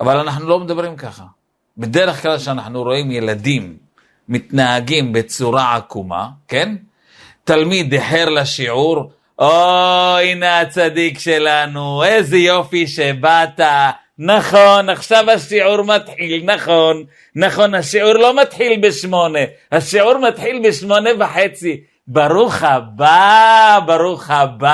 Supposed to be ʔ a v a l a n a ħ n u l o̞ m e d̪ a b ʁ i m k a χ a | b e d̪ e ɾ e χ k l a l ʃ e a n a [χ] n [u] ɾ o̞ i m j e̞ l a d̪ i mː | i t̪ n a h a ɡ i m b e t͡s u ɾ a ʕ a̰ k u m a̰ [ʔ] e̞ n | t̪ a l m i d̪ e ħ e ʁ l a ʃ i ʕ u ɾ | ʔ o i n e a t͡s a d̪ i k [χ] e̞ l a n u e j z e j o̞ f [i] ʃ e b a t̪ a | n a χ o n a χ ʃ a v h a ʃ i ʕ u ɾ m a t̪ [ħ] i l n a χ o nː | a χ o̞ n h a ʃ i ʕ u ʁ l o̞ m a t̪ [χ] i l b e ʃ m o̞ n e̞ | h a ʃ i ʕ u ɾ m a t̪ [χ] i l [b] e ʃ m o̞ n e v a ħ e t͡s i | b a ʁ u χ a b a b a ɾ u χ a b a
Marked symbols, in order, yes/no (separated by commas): no, yes, no, no, yes, yes, no, no, yes